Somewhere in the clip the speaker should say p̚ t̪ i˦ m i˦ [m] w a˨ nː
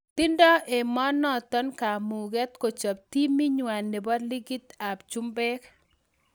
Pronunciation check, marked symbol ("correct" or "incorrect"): incorrect